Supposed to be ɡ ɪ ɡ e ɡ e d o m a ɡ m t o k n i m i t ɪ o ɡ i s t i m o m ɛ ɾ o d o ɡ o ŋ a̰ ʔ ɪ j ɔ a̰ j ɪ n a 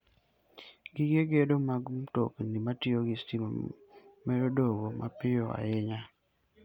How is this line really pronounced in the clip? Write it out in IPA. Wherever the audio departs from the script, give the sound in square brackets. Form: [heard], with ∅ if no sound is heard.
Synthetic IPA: ɡ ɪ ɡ e ɡ e d o m a ɡ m t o k n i m [a] t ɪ o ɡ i s t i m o m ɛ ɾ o d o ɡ o [m] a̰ [p] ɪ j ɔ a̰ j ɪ [ɲ] a